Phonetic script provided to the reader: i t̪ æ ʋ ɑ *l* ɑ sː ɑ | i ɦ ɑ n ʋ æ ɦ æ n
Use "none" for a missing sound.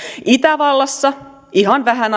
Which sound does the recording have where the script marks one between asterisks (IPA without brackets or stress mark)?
lː